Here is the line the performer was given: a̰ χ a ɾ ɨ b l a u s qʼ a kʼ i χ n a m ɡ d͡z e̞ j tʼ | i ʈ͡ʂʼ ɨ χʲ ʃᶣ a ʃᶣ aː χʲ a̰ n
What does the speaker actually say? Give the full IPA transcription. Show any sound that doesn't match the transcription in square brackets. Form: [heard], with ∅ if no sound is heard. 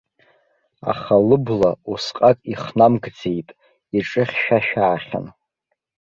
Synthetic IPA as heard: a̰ χ a [l] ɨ b l a u s qʼ a kʼ i χ n a m ɡ d͡z e̞ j tʼ | i ʈ͡ʂʼ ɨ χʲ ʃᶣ a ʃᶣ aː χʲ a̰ n